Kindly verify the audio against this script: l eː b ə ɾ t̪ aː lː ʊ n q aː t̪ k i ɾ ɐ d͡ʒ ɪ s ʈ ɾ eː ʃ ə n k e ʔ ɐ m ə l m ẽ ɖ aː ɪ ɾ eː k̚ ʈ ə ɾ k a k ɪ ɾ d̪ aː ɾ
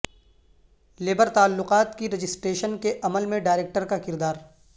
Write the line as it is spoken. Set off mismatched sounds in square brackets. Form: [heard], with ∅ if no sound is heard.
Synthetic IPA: l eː b ə ɾ t̪ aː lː ʊ [∅] q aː t̪ k i ɾ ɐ d͡ʒ ɪ s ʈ ɾ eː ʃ ə n k e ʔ ɐ m ə l m ẽ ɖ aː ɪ ɾ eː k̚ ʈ ə ɾ k a k ɪ ɾ d̪ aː ɾ